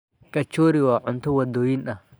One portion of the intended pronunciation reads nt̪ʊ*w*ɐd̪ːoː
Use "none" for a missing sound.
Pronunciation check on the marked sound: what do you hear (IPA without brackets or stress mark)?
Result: w